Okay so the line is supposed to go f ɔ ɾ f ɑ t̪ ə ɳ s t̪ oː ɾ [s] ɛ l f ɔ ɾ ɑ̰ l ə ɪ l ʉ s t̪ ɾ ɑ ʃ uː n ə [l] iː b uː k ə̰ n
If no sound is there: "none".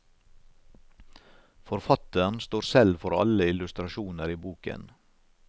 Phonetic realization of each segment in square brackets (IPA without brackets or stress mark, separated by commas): s, ɾ